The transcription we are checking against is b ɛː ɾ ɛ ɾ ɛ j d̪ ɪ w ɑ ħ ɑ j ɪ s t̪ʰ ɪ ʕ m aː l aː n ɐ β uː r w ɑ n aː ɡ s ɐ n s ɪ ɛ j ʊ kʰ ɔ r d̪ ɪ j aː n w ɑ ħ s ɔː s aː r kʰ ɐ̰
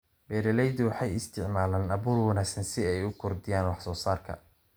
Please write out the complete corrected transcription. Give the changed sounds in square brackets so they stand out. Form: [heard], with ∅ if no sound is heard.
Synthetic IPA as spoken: b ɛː ɾ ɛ [l] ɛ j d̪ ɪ w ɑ ħ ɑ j ɪ s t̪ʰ ɪ ʕ m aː l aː n ɐ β uː r w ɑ n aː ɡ s ɐ n s ɪ ɛ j ʊ kʰ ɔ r d̪ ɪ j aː n w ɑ ħ s ɔː s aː r kʰ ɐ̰